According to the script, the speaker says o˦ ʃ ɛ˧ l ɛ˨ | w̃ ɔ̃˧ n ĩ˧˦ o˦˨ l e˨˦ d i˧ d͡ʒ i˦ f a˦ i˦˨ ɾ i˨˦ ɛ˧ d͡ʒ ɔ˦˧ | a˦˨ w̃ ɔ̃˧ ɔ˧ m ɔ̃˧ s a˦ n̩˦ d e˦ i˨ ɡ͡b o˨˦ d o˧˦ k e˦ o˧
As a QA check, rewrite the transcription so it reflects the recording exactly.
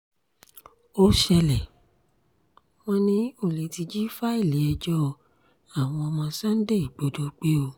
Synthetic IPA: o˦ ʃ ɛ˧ l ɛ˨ | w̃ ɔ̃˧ n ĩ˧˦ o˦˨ l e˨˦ t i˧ d͡ʒ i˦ f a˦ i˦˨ l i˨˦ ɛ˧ d͡ʒ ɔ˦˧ | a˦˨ w̃ ɔ̃˧ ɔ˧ m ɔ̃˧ s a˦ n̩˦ d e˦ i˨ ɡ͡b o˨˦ d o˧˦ k͡p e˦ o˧

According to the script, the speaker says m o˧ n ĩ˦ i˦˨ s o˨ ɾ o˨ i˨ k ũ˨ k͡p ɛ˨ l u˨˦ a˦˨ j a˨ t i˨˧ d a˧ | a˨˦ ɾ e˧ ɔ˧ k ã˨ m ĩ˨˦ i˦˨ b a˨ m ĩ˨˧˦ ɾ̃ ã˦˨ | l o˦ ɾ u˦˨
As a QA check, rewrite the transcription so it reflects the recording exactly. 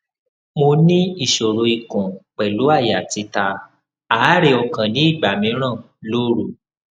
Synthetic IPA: m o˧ n ĩ˦ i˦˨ ʃ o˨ ɾ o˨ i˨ k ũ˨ k͡p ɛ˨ l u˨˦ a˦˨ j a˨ t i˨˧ t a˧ | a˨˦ ɾ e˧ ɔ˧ k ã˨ n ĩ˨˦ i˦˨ ɡ͡b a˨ m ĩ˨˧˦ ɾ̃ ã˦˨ | l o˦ ɾ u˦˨

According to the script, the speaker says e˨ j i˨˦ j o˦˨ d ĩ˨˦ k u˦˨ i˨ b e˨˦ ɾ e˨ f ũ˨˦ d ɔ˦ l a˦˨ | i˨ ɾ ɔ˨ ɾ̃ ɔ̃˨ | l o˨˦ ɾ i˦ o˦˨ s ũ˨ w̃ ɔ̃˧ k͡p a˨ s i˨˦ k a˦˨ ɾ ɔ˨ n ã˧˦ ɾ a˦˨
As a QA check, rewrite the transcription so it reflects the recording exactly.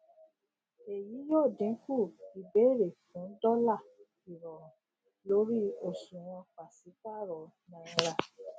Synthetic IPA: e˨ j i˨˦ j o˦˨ d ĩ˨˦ k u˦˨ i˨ b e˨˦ ɾ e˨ f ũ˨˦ d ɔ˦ l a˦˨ | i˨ ɾ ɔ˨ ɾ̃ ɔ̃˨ | l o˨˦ ɾ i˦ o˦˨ s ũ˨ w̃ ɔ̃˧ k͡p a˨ s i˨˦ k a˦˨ ɾ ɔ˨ n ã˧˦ ɾ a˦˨

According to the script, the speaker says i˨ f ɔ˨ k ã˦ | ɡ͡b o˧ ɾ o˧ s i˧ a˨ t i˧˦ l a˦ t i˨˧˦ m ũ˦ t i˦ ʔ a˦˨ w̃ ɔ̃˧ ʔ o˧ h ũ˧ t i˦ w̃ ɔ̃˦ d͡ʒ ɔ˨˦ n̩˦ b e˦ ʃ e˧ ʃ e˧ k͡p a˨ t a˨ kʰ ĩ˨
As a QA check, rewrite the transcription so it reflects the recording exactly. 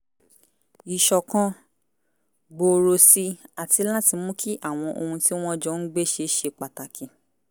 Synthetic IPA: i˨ ʃ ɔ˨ k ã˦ | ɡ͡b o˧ ɾ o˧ s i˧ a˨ t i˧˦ l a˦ t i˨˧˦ m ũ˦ k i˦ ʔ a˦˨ w̃ ɔ̃˧ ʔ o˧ h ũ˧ t i˦ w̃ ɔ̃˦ d͡ʒ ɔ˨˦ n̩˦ ɡ͡b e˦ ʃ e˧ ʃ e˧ k͡p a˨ t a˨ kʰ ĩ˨

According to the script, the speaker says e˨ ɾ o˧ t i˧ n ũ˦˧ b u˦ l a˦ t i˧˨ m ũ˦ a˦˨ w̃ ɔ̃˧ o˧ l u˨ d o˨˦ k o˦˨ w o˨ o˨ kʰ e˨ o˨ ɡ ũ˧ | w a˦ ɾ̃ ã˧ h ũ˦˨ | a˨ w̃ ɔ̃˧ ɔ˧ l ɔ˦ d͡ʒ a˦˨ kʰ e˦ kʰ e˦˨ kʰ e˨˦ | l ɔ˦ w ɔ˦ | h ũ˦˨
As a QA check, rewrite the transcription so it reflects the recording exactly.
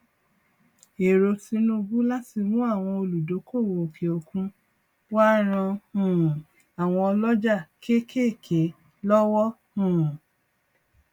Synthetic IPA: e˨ ɾ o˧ t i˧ n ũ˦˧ b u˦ l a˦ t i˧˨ m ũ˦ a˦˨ w̃ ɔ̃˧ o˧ l u˨ d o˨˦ k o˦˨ w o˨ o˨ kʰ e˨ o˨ k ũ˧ | w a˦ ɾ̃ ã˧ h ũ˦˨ | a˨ w̃ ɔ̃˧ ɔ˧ l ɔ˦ d͡ʒ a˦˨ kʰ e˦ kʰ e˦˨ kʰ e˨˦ | l ɔ˦ w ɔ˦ | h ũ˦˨

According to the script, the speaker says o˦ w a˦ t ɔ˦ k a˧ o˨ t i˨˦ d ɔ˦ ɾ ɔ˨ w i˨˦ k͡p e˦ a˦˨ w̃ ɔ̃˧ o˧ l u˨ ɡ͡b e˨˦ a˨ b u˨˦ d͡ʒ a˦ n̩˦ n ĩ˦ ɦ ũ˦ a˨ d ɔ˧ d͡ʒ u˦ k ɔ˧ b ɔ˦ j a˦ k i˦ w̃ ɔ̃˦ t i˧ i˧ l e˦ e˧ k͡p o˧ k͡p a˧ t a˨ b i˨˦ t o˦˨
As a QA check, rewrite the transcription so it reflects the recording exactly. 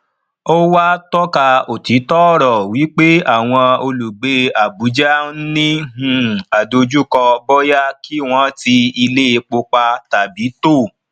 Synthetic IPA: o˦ w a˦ t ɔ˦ k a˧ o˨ t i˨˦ t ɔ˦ ɾ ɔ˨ w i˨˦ k͡p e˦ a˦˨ w̃ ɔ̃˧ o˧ l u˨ ɡ͡b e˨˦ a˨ b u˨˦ d͡ʒ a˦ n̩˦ n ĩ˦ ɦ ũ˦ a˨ d o˧ d͡ʒ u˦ k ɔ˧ b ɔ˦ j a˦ k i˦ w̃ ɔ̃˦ t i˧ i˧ l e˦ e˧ k͡p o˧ k͡p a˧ t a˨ b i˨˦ t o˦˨

